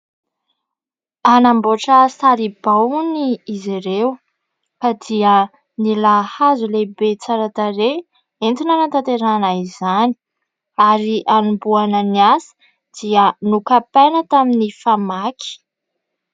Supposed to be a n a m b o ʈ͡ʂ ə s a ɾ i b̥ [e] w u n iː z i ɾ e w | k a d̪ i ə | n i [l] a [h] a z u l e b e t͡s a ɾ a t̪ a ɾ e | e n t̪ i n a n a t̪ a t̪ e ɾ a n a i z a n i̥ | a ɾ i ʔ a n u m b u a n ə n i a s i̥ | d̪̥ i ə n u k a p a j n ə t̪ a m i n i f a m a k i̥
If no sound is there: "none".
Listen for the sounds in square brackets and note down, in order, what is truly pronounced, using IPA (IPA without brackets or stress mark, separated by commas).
a, l, h